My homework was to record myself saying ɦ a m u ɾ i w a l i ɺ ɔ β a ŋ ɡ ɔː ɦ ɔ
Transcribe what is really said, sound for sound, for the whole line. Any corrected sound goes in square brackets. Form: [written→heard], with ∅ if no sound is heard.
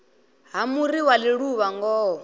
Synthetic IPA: ɦ a m u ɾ i w a l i ɺ [ɔ→u] β a ŋ ɡ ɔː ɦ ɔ